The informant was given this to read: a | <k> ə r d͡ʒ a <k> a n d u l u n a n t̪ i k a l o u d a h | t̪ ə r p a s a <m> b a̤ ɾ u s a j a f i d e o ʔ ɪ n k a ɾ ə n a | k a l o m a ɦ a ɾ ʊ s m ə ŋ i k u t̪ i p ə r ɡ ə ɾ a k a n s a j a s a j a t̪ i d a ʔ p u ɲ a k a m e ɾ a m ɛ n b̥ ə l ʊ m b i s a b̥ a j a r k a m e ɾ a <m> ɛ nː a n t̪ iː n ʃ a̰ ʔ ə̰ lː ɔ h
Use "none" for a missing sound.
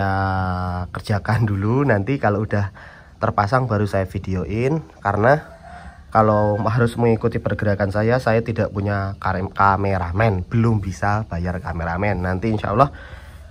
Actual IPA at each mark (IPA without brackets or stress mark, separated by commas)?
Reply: k, k, ŋ, m